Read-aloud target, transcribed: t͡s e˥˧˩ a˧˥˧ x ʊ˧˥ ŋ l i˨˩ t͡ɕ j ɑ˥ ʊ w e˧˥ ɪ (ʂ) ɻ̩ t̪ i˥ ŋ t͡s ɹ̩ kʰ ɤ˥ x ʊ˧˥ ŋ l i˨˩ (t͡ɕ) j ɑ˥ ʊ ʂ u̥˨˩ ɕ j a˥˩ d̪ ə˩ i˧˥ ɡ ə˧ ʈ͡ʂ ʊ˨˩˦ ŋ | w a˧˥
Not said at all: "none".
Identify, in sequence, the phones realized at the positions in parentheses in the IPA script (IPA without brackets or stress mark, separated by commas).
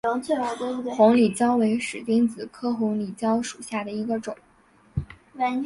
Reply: ʂ, t͡ɕ